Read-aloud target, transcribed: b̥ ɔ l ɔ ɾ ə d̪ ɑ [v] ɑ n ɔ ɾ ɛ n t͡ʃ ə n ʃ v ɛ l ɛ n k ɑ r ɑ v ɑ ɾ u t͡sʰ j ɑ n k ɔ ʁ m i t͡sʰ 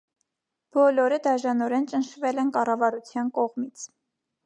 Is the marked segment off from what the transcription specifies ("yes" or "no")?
yes